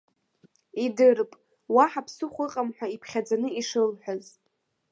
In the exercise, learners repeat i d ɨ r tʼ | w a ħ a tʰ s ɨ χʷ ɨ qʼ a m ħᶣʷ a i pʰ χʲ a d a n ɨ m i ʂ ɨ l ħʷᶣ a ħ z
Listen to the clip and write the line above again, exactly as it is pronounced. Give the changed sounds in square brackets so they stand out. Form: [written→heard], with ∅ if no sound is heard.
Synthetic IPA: i d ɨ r [tʼ→pʼ] | w a ħ a [tʰ→pʰ] s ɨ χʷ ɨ qʼ a m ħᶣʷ a i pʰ χʲ a [d→d͡z] a n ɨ [m→∅] i ʂ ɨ l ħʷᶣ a [ħ→∅] z